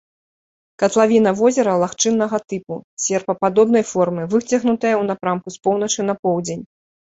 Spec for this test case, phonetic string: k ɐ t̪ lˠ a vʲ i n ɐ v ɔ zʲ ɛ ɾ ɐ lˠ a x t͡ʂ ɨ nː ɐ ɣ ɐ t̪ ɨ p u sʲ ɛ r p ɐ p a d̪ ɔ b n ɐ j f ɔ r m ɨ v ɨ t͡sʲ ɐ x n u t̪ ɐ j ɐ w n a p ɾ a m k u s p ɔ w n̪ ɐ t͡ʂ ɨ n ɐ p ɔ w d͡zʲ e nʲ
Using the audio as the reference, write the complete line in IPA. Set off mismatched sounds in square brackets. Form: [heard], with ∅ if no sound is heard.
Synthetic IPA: k ɐ t̪ lˠ a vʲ i n ɐ v ɔ zʲ ɛ ɾ ɐ lˠ a x t͡ʂ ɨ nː ɐ ɣ ɐ t̪ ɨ p u sʲ ɛ r p ɐ p a d̪ ɔ b n ɐ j f ɔ r m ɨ v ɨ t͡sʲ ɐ [ɣ] n u t̪ ɐ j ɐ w n a p ɾ a m k u s p ɔ w n̪ ɐ t͡ʂ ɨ n ɐ p ɔ w d͡zʲ e nʲ